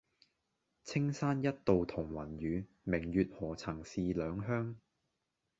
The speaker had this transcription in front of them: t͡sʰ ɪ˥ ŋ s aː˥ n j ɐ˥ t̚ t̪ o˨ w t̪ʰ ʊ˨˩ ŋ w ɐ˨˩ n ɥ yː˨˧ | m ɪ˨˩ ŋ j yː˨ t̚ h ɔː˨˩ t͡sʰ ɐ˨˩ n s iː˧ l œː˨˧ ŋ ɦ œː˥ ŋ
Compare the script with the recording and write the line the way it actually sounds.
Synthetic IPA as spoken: t͡sʰ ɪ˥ ŋ s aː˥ n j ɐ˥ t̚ t̪ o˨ w t̪ʰ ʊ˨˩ ŋ w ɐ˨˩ n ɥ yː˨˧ | m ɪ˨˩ ŋ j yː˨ t̚ h ɔː˨˩ t͡sʰ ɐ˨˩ ŋ s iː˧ l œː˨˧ ŋ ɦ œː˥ ŋ

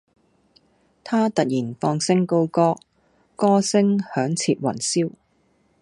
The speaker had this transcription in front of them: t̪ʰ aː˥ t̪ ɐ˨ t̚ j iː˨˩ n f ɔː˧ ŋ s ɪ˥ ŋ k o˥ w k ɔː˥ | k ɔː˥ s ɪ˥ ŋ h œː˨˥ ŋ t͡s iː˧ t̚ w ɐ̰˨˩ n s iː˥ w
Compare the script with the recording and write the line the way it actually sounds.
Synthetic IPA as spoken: t̪ʰ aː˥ t̪ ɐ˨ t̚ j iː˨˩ n f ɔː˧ ŋ s ɪ˥ ŋ k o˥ w k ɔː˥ | k ɔː˥ s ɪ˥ ŋ h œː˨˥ ŋ t͡sʰ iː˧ t̚ w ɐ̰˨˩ n s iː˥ w

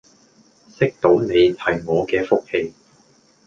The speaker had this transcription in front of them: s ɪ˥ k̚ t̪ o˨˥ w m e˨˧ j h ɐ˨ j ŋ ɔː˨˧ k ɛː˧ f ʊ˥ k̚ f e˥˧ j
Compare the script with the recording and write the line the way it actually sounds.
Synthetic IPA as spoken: s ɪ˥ k̚ t̪ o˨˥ w n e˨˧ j h ɐ˨ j ŋ ɔː˨˧ k ɛː˧ f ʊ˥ k̚ h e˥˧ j

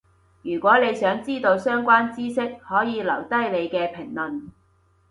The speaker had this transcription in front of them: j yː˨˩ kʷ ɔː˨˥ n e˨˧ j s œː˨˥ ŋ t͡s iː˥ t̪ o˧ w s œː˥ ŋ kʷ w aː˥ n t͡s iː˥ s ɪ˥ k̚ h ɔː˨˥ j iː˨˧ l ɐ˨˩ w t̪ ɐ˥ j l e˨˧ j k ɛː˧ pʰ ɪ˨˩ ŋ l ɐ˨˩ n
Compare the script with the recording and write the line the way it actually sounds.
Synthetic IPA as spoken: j yː˨˩ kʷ ɔː˨˥ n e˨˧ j s œː˨˥ ŋ t͡s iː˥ t̪ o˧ w s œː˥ ŋ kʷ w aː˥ n t͡s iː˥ s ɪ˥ k̚ h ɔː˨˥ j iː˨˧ l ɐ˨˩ w t̪ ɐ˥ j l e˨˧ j k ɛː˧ pʰ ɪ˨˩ ŋ l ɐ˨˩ n

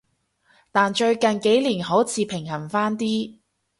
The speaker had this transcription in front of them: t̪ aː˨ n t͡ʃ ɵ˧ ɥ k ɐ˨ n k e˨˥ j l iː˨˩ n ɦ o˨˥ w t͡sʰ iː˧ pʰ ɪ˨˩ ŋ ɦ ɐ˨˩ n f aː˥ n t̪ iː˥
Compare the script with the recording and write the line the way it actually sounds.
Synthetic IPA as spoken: t̪ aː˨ n t͡ʃ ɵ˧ ɥ k ɐ˨ n k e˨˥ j l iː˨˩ n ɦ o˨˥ w t͡sʰ iː˧ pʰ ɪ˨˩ ŋ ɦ ɐ˨˩ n f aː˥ n t̪ iː˥

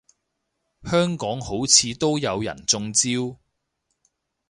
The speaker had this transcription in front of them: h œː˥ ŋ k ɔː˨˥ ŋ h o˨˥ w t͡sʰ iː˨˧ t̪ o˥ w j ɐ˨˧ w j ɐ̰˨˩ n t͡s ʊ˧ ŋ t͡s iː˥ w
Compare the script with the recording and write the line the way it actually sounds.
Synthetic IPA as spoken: h œː˥ ŋ k ɔː˨˥ ŋ h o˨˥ w t͡sʰ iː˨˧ t̪ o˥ w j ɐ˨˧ w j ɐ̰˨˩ n t͡s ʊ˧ ŋ t͡s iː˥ w

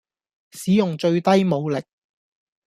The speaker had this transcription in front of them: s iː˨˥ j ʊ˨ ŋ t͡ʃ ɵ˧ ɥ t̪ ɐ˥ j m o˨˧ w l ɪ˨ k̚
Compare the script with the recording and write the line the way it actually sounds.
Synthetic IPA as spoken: s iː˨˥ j ʊ˨ ŋ t͡ʃ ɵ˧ ɥ t̪ ɐ˥ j m o˨˧ w l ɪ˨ k̚

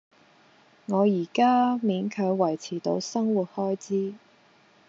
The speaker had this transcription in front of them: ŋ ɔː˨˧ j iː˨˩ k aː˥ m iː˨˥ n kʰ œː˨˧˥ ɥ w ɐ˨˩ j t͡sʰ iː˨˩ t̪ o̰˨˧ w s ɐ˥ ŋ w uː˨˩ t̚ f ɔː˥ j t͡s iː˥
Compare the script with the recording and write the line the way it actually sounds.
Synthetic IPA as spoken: ŋ ɔː˨˧ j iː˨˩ k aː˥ m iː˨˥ n kʰ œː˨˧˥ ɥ w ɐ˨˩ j t͡sʰ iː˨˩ t̪ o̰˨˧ w s ɐ˥ ŋ w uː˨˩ t̚ h ɔː˥ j t͡s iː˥

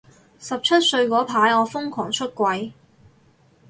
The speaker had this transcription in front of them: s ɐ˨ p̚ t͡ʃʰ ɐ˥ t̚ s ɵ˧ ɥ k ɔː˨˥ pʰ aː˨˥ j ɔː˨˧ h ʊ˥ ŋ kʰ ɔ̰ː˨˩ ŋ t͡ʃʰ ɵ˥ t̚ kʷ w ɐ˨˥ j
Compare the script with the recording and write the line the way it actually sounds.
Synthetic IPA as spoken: s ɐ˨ p̚ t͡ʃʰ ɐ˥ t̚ s ɵ˧ ɥ k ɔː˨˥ pʰ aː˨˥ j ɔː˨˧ f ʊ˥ ŋ kʰ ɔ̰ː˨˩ ŋ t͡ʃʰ ɵ˥ t̚ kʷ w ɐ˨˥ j

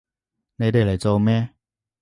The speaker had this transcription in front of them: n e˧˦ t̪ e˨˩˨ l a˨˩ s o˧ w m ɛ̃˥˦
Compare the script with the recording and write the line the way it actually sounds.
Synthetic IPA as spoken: n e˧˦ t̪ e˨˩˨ l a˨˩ t͡s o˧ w m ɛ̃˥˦

